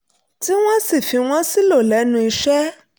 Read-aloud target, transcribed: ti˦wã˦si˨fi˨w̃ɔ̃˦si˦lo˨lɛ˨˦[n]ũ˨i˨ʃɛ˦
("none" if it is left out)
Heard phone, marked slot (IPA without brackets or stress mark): n